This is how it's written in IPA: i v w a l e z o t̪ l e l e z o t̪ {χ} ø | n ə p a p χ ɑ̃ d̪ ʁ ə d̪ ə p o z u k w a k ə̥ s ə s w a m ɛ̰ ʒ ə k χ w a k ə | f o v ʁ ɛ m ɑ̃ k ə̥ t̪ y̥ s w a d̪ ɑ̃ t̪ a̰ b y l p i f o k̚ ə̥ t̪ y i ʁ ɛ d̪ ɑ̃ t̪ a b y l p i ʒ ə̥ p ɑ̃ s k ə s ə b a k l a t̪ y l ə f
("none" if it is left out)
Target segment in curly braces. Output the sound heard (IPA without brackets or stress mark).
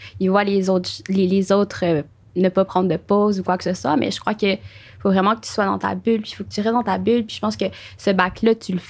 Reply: χ